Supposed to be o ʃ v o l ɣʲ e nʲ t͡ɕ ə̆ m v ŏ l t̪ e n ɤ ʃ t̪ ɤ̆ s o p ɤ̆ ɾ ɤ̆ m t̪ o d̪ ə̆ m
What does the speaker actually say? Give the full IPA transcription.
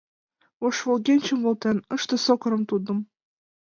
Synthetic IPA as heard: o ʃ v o l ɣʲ e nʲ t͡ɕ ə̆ m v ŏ l t̪ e n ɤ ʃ t̪ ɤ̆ s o k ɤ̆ ɾ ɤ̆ m t̪ u d̪ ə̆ m